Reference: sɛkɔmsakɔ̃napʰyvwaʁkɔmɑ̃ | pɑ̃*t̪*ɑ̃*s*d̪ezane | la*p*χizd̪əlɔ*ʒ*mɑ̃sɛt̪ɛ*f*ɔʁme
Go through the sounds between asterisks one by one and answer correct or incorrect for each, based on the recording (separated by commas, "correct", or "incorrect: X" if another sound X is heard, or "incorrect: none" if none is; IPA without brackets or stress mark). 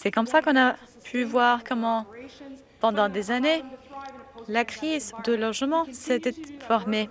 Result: incorrect: d̪, incorrect: none, incorrect: k, correct, correct